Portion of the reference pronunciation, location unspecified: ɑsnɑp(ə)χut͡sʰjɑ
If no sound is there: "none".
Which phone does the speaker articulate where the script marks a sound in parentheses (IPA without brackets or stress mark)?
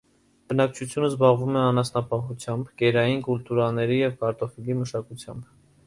ɑ